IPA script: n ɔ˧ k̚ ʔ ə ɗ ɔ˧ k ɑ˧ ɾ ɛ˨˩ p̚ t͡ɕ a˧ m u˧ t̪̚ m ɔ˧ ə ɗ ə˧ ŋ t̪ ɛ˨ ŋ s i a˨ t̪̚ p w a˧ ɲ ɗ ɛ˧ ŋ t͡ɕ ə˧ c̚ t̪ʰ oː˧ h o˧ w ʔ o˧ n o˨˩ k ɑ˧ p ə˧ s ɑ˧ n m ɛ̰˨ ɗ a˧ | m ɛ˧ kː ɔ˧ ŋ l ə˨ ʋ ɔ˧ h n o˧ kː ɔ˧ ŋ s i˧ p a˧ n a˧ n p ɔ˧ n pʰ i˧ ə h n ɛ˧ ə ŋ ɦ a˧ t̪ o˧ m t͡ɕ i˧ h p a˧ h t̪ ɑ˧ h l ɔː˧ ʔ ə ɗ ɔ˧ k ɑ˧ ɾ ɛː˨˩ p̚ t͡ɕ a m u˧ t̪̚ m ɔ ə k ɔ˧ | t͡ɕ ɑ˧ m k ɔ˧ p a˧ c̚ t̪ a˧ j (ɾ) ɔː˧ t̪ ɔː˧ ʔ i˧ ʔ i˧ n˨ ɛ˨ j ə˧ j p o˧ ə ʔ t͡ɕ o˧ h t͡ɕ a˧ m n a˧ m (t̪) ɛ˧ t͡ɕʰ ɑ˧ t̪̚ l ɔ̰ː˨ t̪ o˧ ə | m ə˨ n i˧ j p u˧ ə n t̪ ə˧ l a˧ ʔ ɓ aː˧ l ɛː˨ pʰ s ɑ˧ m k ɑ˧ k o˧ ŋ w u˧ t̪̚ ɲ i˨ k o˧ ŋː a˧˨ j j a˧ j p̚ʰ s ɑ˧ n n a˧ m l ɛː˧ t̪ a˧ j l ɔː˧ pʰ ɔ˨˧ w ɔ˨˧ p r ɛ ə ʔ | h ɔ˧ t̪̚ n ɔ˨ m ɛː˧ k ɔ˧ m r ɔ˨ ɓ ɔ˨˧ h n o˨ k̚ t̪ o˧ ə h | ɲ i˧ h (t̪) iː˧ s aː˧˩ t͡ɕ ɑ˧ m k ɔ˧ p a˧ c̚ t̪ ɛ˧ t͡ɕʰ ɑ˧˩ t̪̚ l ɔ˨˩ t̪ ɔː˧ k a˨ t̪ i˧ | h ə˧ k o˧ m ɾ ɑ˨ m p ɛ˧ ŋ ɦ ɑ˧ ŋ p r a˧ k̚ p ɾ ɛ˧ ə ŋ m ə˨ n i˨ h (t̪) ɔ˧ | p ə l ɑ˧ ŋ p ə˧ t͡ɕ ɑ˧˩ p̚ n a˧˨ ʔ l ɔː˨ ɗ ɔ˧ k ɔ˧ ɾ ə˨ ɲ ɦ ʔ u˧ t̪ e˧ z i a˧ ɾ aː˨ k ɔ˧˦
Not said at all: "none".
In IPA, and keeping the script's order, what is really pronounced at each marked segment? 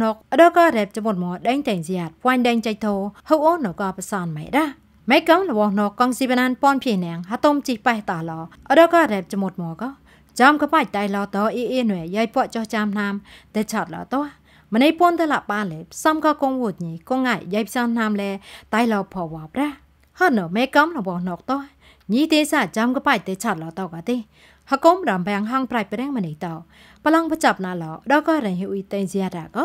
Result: l, t̪, t̪, t̪

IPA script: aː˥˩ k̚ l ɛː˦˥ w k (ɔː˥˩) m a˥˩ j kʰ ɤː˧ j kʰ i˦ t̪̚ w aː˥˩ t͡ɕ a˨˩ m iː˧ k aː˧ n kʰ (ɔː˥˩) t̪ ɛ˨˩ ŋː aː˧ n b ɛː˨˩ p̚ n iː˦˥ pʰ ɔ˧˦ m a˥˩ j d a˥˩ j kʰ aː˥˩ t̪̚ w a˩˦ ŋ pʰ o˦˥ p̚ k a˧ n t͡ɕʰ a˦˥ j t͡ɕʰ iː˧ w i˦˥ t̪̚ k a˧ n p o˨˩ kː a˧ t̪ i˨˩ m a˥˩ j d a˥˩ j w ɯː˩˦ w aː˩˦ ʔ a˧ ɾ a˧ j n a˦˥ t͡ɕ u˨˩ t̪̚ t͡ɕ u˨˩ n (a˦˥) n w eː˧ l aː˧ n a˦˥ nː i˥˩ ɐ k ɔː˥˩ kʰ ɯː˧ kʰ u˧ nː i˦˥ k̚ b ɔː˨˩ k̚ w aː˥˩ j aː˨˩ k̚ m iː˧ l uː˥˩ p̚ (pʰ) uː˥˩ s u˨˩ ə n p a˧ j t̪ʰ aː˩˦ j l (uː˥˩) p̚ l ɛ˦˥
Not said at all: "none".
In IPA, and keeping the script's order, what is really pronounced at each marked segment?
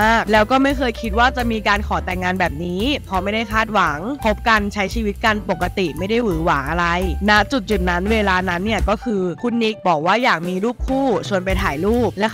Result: ɔː˥˩, ɔː˨˩˦, a˦˥, kʰ, uː˥˩

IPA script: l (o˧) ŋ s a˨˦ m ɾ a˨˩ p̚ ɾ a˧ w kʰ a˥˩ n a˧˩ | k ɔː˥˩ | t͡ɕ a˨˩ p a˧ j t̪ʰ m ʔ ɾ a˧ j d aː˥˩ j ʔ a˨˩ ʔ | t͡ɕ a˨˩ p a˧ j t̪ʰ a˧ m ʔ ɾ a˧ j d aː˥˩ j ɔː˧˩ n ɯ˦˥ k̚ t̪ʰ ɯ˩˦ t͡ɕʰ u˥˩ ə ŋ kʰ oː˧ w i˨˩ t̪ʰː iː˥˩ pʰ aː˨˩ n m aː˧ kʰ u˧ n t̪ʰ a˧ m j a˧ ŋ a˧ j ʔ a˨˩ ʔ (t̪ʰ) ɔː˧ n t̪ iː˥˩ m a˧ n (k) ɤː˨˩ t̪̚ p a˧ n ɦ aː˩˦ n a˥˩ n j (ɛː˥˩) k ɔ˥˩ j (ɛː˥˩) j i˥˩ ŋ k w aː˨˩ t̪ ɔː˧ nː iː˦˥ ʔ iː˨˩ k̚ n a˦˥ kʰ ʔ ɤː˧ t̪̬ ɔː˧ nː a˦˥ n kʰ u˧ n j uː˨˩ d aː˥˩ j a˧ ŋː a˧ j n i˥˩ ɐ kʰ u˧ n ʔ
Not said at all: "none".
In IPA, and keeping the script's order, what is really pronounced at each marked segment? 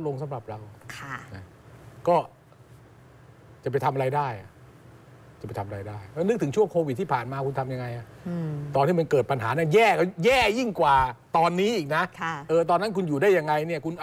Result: o˧, t̪, k, ɛː˥˩, ɛː˥˩

